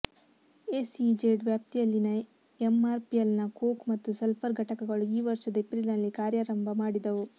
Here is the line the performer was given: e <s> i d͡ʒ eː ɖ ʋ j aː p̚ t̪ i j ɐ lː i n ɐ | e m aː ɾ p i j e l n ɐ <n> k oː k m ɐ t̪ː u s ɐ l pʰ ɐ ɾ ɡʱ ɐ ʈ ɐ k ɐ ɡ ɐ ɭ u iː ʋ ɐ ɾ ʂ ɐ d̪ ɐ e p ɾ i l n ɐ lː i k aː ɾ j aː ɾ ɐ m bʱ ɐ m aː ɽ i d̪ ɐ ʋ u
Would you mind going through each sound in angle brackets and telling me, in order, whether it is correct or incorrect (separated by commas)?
correct, incorrect